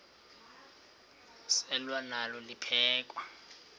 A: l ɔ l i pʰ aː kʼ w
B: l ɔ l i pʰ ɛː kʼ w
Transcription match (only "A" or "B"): B